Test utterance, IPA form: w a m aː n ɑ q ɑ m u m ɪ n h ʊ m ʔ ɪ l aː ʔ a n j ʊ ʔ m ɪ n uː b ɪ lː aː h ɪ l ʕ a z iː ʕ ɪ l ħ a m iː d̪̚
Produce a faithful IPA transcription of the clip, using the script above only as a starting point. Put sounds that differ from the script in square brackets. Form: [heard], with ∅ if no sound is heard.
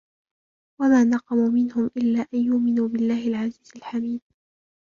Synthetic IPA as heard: w a m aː n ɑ q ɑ m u m ɪ n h ʊ m ʔ ɪ [lː] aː ʔ a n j ʊ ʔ m ɪ n uː b ɪ lː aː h ɪ l ʕ a z iː [z] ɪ l ħ a m iː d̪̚